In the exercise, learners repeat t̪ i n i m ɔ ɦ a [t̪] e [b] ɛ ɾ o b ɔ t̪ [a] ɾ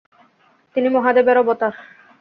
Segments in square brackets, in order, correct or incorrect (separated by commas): incorrect, correct, correct